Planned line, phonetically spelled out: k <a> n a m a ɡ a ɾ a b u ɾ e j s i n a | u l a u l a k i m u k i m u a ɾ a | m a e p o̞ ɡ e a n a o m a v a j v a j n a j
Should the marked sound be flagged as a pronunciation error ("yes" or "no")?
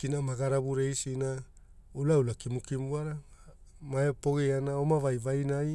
yes